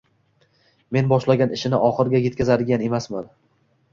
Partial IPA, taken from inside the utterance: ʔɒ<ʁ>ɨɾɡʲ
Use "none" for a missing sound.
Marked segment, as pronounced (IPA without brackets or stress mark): χ